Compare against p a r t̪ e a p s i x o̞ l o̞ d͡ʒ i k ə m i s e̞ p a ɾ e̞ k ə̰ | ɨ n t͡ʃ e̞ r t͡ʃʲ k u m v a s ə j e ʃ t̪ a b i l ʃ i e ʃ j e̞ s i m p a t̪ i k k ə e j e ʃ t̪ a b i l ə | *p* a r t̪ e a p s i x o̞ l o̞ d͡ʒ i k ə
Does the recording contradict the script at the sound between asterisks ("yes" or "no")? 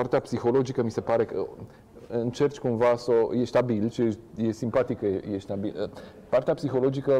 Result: no